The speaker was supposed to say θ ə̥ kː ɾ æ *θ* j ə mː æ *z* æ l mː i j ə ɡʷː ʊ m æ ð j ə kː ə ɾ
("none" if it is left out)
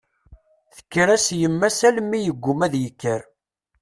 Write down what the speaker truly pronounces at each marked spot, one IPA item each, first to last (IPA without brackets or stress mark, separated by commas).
s, s